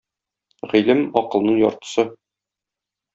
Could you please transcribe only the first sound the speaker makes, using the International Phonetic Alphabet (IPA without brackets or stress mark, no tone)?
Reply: ʁ